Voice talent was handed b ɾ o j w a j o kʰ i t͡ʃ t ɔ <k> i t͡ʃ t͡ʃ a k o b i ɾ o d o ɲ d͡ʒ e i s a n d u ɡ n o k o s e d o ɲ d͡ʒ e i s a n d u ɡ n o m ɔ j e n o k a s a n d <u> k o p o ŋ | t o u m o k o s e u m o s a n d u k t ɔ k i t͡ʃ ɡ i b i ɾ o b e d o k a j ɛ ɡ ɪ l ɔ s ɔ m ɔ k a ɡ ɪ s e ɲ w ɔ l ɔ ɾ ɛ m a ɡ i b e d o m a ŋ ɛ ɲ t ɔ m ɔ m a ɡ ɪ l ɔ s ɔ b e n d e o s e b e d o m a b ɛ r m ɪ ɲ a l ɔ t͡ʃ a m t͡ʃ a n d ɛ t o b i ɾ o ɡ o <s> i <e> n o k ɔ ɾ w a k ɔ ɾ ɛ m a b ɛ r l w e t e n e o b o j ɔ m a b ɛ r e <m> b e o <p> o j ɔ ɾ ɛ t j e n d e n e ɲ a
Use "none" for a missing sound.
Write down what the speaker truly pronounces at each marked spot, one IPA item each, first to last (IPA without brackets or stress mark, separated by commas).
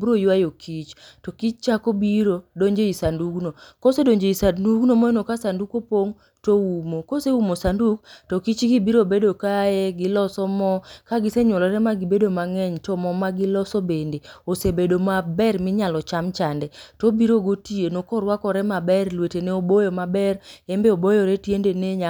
k, u, t, e, m, b